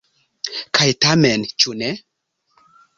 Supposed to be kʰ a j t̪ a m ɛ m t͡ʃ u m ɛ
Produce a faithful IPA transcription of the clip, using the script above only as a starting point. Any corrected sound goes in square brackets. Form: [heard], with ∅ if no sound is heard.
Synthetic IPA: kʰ a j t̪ a m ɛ [n] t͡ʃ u [n] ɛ